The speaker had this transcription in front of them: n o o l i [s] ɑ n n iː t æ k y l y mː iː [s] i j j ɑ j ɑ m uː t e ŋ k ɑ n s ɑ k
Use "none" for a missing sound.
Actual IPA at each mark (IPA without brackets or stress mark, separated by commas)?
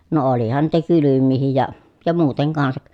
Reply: h, h